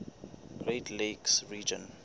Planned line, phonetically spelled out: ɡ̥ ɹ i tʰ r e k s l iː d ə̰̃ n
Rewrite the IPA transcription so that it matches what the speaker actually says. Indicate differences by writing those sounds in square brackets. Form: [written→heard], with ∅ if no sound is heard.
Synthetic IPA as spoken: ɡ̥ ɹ [i→e] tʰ [r→l] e k s [l→ɹ] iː [d→d͡ʒ] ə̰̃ n